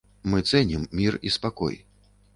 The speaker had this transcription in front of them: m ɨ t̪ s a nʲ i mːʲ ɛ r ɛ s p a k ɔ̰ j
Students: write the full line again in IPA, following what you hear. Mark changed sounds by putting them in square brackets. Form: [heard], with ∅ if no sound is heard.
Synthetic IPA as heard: m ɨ t̪ s [ɛ] nʲ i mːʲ [i] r [i] s p a k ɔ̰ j